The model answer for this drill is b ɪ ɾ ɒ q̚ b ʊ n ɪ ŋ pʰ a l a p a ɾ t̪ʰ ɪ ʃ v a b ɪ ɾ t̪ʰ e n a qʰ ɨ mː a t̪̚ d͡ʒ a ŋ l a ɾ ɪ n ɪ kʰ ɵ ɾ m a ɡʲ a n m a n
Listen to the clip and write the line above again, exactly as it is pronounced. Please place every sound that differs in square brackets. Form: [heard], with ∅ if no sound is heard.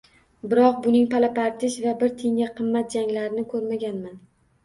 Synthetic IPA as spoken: b ɪ ɾ ɒ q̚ b ʊ n ɪ ŋ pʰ a l a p a ɾ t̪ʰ ɪ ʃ v a b ɪ ɾ t̪ʰ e [ŋ] a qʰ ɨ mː a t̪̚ d͡ʒ a ŋ l a ɾ ɪ n ɪ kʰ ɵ ɾ m a ɡʲ a n m a n